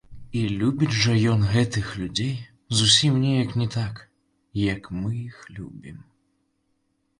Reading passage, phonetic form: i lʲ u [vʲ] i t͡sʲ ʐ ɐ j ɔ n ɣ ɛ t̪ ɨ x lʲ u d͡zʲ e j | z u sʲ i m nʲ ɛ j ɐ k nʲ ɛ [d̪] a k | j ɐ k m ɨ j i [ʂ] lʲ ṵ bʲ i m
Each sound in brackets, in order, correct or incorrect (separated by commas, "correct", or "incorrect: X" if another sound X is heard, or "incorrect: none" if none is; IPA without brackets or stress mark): incorrect: bʲ, incorrect: t̪, incorrect: x